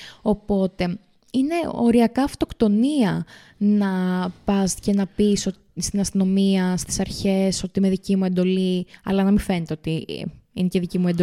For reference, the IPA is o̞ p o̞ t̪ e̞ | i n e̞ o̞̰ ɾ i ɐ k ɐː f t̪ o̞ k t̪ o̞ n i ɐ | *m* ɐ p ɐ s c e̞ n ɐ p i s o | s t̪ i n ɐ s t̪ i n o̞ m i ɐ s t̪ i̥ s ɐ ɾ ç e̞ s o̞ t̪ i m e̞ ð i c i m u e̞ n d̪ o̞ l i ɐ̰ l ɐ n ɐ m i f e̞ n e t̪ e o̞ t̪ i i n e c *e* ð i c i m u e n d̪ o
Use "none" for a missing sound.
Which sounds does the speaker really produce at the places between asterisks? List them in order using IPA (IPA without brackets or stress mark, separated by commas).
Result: n, e